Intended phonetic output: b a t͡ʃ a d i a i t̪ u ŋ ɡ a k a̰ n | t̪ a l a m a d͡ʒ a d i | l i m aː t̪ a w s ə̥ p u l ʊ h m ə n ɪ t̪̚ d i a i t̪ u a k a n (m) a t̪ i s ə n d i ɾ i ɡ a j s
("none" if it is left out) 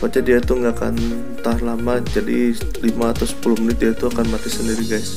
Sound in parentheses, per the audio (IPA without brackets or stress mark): m